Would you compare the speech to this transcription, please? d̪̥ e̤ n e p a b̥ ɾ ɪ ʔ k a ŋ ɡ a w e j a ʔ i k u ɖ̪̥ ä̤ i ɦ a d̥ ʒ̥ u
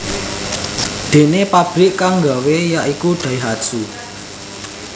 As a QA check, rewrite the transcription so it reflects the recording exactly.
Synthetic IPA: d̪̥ e̤ n e p a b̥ ɾ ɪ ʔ k a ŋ ɡ a w e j a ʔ i k u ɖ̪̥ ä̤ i ɦ a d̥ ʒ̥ u